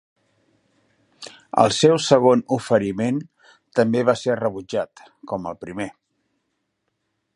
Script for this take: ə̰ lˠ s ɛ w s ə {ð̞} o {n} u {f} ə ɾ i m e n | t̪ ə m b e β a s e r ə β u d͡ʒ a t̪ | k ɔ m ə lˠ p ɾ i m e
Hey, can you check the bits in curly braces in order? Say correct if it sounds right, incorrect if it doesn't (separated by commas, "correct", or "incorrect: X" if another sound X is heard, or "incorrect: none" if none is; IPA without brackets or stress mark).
incorrect: ɣ̞, correct, correct